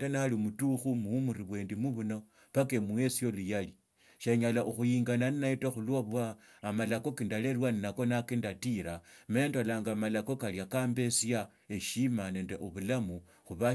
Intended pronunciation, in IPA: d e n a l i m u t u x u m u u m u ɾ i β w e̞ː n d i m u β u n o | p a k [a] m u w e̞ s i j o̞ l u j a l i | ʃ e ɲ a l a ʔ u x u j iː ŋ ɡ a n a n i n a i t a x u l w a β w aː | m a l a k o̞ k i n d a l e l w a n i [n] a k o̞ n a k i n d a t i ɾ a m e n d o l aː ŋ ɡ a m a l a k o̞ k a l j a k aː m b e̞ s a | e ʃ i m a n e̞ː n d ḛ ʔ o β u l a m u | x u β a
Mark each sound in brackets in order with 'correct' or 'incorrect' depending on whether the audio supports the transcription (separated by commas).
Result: incorrect, correct